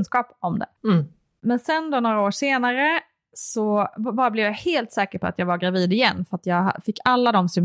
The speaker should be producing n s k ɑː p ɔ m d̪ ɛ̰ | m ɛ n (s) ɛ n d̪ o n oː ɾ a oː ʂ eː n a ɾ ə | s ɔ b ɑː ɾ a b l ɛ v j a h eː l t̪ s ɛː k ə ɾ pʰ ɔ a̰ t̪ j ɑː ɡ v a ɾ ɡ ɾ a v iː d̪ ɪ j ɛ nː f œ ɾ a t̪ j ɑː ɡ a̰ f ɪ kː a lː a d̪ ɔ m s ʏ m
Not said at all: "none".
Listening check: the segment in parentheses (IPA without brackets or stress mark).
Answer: s